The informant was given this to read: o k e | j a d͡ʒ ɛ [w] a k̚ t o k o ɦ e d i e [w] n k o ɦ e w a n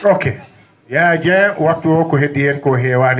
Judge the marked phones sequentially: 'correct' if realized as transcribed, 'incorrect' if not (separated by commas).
correct, incorrect